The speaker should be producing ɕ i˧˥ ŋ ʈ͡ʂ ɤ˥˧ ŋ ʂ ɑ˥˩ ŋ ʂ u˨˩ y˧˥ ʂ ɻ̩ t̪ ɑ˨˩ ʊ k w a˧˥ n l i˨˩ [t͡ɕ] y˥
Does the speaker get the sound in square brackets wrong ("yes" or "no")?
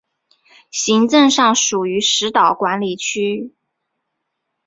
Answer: yes